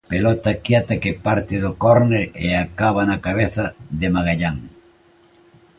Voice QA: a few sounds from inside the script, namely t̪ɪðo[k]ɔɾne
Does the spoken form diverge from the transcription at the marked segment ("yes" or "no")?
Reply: no